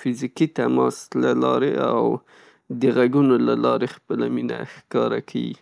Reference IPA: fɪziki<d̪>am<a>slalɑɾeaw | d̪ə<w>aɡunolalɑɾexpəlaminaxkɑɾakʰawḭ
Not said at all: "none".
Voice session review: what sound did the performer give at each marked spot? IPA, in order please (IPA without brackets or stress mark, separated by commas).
t̪, ɑ, ɣ